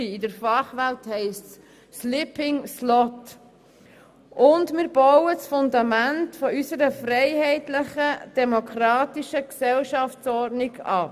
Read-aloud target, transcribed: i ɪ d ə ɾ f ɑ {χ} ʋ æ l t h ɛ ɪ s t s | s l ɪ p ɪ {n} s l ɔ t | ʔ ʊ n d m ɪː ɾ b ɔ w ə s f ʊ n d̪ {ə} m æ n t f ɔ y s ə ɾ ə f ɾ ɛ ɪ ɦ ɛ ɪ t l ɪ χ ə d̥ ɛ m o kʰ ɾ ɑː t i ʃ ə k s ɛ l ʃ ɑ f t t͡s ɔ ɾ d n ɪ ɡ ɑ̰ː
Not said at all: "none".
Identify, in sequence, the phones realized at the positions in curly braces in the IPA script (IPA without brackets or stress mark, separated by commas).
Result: χ, ŋ, ɑ